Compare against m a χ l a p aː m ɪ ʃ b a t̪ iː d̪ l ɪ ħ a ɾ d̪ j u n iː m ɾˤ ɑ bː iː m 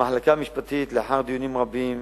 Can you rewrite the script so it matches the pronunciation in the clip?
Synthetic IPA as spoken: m a ħ l a k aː m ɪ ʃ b a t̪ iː t̪ l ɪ ħ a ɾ d̪ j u n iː m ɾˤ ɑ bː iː m